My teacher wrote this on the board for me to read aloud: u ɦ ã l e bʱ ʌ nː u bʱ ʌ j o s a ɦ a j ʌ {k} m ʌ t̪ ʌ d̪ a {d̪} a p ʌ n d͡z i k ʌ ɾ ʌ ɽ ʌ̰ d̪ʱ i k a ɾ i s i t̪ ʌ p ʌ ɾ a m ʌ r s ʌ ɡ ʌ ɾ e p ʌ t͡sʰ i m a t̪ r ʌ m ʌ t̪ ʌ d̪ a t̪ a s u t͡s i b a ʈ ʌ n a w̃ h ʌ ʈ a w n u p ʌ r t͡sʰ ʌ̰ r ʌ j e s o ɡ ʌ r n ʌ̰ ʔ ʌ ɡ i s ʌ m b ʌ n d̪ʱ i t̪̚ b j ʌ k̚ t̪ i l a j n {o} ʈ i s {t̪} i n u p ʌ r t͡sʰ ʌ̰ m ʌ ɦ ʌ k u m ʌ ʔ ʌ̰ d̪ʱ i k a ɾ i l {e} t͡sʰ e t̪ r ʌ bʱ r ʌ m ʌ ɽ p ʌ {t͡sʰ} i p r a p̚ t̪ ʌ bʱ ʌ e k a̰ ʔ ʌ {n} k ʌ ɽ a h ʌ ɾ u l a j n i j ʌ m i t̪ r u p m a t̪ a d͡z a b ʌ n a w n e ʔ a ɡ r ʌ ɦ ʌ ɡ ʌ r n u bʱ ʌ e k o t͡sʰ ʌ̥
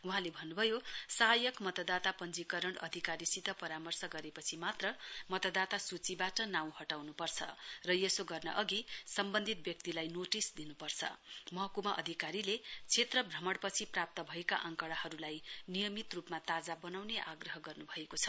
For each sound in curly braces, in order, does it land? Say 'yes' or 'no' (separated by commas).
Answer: yes, no, yes, no, yes, yes, no